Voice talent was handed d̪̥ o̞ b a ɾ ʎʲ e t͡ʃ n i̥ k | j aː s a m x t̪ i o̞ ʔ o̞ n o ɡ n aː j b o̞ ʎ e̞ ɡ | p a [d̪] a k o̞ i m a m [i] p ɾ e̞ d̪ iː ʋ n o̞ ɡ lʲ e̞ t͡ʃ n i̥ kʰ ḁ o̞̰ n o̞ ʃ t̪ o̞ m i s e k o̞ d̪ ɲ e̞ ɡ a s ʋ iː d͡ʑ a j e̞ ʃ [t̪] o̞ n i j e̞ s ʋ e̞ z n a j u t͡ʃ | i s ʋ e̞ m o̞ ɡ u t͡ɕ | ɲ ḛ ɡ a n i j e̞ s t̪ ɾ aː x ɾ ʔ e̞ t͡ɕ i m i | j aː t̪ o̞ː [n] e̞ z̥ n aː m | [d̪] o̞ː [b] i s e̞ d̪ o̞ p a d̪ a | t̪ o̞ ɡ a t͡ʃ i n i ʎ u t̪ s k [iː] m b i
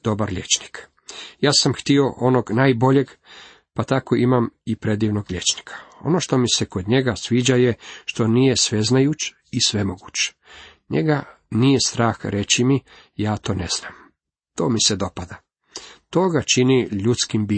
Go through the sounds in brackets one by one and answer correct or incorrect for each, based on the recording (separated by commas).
incorrect, correct, correct, correct, incorrect, incorrect, incorrect